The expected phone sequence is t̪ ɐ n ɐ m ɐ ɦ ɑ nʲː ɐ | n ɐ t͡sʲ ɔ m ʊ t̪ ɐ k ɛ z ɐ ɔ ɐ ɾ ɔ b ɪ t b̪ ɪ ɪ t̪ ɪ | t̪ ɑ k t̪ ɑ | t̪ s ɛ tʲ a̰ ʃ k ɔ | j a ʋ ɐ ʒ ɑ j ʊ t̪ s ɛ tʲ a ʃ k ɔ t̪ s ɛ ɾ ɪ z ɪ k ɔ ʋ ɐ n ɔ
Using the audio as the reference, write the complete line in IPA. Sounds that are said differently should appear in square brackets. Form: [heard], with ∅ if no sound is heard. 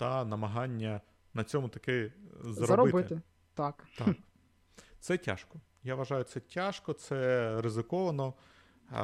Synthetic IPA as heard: t̪ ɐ n ɐ m ɐ ɦ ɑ nʲː ɐ | n ɐ t͡sʲ ɔ m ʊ t̪ ɐ k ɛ z ɐ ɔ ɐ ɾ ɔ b ɪ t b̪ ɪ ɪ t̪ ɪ | t̪ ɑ k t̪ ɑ | t̪ s ɛ tʲ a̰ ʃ k ɔ | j a ʋ ɐ ʒ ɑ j ʊ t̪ s ɛ tʲ a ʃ k ɔ t̪ s ɛ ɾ ɪ z ɪ k ɔ ʋ ɐ n ɔ